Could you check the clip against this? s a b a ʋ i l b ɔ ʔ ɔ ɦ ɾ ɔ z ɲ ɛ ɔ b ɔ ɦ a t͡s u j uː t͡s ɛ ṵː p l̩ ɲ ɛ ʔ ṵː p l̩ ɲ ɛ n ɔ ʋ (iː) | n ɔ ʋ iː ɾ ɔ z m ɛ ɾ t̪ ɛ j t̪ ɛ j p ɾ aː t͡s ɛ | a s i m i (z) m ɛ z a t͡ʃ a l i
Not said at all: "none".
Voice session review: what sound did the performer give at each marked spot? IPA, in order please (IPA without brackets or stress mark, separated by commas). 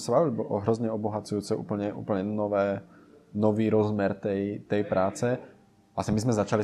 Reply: ɛː, z